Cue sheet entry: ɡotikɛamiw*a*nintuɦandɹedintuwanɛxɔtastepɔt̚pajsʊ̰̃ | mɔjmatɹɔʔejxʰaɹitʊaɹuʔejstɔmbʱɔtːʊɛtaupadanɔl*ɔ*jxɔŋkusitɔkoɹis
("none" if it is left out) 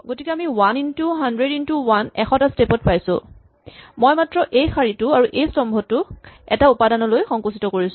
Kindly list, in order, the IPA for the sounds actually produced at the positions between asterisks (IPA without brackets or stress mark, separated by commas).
a, o